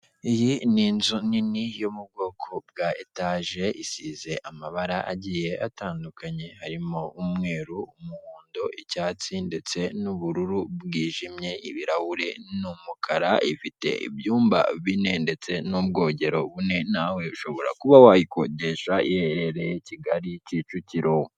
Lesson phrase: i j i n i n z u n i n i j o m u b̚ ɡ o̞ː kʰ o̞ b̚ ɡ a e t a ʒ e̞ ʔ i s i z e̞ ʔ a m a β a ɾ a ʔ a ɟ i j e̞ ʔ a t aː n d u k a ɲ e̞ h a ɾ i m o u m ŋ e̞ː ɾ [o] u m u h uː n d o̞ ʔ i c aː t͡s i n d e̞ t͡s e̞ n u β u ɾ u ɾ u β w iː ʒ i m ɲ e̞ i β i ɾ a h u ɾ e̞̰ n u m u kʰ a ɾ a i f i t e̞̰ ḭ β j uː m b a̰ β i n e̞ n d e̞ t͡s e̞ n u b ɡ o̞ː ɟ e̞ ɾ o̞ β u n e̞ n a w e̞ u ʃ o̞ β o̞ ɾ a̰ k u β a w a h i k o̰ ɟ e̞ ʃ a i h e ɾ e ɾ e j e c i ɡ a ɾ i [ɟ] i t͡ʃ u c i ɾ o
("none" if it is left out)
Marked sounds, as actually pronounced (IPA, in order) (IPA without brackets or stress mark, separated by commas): u, c